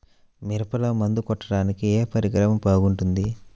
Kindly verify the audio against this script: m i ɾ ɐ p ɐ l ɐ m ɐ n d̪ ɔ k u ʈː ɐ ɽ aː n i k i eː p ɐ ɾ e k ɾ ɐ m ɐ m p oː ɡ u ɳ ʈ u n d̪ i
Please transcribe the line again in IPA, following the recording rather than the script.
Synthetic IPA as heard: m i ɾ ɐ p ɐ l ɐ m ɐ n d̪ u k ɔ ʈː ɐ ɽ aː n i k i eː p ɐ ɾ i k ɾ ɐ m ɐ m p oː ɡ u ɳ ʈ u n d̪ i